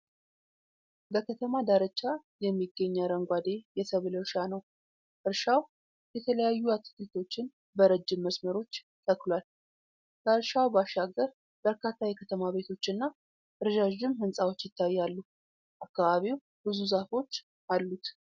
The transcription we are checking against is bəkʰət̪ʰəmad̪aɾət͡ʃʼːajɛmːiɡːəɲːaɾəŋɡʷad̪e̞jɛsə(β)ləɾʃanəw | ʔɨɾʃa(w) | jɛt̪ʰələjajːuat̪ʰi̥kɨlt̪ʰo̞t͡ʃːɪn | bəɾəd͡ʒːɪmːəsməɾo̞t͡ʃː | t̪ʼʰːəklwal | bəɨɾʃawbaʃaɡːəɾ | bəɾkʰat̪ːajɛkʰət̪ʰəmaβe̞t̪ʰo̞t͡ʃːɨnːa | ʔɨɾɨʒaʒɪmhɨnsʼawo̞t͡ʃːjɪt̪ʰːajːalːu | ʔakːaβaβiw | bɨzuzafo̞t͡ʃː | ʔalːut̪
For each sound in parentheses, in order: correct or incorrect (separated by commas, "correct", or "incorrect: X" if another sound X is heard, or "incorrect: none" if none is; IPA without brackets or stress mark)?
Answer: correct, correct